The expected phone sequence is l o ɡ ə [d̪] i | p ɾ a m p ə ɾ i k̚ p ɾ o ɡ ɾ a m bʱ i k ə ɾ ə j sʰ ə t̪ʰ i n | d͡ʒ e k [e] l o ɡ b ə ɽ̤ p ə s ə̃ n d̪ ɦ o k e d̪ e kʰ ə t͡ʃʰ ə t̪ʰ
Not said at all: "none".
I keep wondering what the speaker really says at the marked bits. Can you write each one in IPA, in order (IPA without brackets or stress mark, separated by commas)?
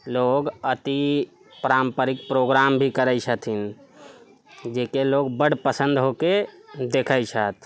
t̪, e